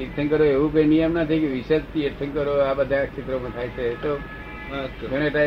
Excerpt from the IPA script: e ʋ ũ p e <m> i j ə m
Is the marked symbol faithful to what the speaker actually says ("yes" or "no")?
no